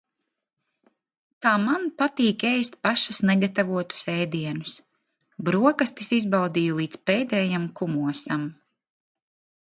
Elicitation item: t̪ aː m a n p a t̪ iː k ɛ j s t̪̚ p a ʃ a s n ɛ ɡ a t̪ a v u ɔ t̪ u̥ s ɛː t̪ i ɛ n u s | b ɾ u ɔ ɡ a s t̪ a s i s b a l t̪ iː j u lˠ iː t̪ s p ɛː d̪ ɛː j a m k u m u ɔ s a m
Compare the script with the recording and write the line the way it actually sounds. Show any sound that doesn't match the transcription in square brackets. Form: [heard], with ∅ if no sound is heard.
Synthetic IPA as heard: t̪ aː m a n p a t̪ iː k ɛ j s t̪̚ p a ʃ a s n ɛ ɡ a t̪ a v u ɔ t̪ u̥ s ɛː [d̪] i ɛ n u s | b ɾ u ɔ [k] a s t̪ [i] s i [z] b a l [d̪] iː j u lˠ iː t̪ s p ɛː d̪ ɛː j a m k u m u ɔ s a m